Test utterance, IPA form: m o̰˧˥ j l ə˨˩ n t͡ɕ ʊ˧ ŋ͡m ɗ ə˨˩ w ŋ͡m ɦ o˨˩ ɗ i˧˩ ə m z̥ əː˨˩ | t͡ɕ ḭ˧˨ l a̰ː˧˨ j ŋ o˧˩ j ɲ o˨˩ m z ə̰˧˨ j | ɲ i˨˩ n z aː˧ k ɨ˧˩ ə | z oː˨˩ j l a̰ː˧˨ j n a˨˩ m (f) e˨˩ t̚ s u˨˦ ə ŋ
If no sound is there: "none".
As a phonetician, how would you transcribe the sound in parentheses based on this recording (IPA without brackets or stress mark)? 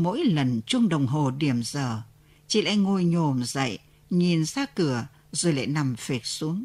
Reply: f